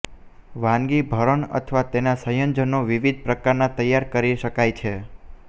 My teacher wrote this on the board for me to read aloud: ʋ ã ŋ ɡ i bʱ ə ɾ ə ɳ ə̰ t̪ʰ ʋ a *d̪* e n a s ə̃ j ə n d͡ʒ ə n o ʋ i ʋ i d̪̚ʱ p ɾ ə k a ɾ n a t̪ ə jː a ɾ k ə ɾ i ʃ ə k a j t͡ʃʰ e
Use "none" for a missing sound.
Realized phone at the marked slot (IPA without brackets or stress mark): t̪